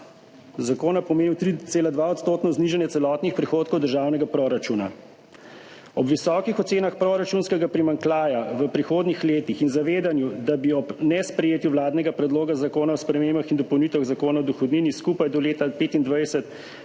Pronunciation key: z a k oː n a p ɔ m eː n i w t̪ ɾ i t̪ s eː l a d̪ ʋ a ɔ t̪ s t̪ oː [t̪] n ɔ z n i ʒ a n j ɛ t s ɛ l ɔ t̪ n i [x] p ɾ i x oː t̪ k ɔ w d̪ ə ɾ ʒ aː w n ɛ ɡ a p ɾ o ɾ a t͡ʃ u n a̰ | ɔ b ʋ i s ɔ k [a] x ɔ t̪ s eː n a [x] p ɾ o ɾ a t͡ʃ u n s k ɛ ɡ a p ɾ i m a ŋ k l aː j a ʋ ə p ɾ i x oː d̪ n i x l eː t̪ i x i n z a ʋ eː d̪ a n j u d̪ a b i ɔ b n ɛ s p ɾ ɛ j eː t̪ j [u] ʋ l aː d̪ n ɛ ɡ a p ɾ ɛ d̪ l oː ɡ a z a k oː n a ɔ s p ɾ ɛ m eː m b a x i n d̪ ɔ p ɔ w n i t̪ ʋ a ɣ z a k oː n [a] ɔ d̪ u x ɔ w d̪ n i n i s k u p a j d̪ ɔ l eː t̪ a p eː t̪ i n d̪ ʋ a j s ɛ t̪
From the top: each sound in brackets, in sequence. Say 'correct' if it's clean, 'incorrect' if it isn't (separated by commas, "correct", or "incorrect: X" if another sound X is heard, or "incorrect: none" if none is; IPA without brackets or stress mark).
correct, correct, incorrect: i, correct, correct, correct